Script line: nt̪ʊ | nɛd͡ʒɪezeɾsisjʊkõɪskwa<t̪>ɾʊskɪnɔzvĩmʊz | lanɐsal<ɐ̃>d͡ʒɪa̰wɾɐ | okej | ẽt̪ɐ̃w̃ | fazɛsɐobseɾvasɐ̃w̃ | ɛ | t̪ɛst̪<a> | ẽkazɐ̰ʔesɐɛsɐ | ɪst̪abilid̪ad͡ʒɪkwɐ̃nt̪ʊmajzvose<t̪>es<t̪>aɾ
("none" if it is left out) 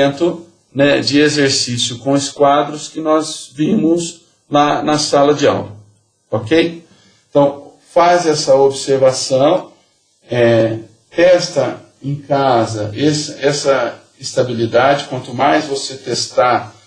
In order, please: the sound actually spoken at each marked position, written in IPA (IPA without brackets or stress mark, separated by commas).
d̪, ɐ, ɐ, t̪, t̪